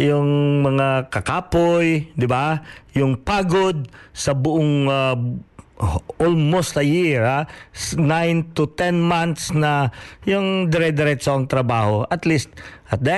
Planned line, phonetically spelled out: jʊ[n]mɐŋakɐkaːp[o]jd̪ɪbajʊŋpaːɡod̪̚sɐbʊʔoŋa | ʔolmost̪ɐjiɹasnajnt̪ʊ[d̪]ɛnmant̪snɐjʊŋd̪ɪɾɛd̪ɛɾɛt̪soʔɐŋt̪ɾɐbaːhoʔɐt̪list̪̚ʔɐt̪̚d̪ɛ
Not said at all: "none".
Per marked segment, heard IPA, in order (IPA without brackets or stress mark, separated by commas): ŋ, o, t̪